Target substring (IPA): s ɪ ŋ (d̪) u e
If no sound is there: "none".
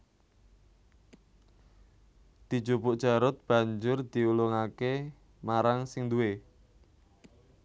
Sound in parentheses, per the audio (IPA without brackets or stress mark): d̪